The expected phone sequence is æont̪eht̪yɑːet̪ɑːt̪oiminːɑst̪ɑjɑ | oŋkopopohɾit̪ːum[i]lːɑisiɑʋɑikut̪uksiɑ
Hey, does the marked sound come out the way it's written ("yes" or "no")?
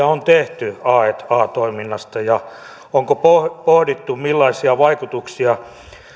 yes